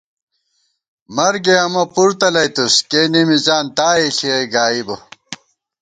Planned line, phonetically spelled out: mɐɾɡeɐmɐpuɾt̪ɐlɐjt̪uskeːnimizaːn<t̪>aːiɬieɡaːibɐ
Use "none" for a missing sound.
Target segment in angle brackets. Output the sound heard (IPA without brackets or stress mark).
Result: t̪